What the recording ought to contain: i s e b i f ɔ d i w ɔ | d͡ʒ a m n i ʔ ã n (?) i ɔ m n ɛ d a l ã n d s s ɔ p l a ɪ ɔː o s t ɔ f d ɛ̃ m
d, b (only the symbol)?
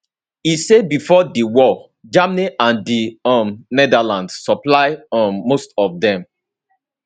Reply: d